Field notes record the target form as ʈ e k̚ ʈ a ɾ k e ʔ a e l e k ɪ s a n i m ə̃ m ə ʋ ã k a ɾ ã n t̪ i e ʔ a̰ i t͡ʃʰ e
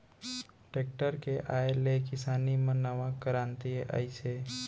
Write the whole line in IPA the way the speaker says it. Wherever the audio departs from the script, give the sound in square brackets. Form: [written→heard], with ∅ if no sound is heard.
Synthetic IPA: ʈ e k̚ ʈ [a→ə] ɾ k e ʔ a e l e k ɪ s a n i m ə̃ [m→n] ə ʋ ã k [a→ə] ɾ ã n t̪ i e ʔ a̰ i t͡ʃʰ e